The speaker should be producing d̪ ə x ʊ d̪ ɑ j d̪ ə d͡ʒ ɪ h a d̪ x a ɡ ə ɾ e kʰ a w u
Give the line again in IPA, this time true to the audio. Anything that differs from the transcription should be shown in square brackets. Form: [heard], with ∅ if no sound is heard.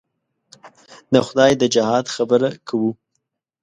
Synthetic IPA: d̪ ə x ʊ d̪ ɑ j d̪ ə d͡ʒ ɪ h [ɑ] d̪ x a [b] ə ɾ [a] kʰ a w u